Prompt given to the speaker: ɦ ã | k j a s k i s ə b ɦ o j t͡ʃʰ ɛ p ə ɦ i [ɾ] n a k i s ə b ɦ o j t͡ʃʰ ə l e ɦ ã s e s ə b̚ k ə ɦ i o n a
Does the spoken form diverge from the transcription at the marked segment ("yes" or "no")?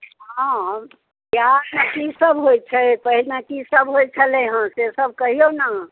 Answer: yes